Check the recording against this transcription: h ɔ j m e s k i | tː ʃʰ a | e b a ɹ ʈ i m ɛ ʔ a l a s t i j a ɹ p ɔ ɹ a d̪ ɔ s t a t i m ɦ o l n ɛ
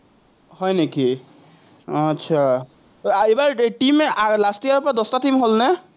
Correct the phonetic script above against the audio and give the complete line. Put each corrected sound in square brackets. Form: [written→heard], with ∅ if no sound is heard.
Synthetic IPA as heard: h ɔ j [m→n] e [s→∅] k i | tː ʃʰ a | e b a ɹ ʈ i m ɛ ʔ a l a s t i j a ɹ p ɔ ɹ a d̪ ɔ s t a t i m ɦ o l n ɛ